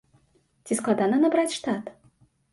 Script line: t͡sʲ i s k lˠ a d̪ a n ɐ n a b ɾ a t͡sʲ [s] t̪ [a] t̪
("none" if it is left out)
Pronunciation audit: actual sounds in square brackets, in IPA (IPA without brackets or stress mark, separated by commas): ʂ, a